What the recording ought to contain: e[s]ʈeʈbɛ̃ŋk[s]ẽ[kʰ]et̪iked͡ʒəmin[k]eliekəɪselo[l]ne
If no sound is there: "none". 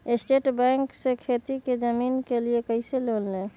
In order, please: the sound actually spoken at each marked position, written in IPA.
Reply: s, s, kʰ, k, l

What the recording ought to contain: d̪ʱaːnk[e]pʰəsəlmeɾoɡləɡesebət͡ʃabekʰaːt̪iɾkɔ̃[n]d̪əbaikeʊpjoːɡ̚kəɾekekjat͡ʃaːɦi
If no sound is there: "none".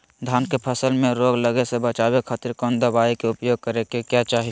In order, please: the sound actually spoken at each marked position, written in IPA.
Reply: e, n

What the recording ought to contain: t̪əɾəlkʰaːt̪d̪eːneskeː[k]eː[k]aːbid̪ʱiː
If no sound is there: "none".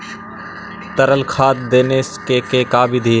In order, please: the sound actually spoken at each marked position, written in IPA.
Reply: k, k

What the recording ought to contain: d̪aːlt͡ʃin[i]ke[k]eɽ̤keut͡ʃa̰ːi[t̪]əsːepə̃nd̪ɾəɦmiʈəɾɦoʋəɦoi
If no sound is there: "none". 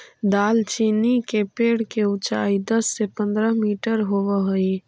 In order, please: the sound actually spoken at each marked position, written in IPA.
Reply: i, p, d̪

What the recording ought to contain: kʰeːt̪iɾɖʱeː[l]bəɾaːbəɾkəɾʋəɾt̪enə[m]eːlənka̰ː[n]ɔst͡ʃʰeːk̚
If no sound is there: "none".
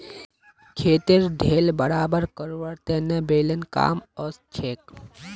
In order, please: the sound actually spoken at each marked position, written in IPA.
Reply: l, b, m

